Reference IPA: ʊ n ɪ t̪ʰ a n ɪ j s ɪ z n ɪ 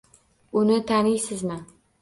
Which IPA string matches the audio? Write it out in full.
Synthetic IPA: ʊ n ɪ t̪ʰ a n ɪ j s ɪ z m ɪ